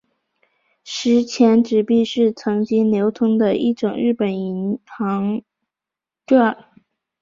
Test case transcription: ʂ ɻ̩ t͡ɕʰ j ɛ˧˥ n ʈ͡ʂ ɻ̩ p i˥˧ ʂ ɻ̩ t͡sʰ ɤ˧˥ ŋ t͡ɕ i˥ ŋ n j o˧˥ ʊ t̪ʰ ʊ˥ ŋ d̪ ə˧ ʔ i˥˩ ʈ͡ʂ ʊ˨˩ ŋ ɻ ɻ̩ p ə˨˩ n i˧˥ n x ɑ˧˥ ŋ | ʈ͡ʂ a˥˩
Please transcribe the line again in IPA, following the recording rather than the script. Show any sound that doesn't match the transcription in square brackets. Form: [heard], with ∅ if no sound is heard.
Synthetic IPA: ʂ ɻ̩ t͡ɕʰ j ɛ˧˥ n ʈ͡ʂ ɻ̩ p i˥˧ ʂ ɻ̩ t͡sʰ ɤ˧˥ ŋ t͡ɕ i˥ ŋ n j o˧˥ ʊ t̪ʰ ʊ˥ ŋ d̪ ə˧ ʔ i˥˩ ʈ͡ʂ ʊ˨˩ ŋ ɻ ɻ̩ p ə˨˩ n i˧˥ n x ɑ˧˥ ŋ | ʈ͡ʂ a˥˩